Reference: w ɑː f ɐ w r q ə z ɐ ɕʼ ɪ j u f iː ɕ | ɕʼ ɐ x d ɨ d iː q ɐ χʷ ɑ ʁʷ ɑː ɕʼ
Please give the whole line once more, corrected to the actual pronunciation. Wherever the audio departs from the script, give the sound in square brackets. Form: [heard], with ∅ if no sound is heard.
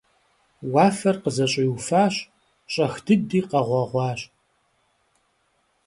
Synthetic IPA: w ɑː f ɐ [∅] r q ə z ɐ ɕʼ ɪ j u f [aː] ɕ | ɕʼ ɐ x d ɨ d iː q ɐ [ʁʷ] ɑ ʁʷ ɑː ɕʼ